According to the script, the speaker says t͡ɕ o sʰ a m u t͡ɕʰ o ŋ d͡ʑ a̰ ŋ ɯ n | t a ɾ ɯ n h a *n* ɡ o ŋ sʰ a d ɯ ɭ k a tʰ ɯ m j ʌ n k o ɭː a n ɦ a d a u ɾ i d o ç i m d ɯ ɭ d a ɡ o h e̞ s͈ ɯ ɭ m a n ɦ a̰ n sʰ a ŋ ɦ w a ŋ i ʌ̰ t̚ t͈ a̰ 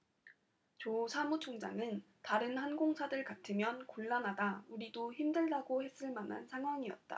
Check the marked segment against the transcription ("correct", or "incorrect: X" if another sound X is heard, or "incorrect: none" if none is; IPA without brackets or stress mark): correct